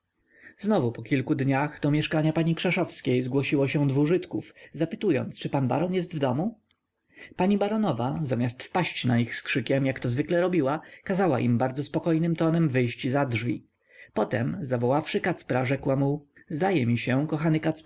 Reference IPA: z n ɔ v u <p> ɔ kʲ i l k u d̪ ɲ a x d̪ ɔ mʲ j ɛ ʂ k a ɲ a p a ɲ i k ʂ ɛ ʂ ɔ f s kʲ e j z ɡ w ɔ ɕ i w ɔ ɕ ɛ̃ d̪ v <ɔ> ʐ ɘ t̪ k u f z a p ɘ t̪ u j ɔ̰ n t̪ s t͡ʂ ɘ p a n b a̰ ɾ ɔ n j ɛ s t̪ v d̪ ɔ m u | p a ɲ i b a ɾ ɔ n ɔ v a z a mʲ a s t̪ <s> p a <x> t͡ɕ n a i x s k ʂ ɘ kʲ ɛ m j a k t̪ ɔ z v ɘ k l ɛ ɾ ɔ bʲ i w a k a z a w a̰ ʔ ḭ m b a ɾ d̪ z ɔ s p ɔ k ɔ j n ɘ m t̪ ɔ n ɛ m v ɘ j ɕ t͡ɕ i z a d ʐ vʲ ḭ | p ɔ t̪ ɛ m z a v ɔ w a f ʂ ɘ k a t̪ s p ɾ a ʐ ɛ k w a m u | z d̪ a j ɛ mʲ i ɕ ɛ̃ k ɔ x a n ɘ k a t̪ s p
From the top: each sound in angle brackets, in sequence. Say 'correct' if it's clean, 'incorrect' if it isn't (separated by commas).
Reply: correct, incorrect, incorrect, incorrect